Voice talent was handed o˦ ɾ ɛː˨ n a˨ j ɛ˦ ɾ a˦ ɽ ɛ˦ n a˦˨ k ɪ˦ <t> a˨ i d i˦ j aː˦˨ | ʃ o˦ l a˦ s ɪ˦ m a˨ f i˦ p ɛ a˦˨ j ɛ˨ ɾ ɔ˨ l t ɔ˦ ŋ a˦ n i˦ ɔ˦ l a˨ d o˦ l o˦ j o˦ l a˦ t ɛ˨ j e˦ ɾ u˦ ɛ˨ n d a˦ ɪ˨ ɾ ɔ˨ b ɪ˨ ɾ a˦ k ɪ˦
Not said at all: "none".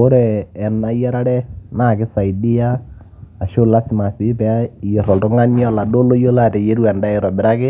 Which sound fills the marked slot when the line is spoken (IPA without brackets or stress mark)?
s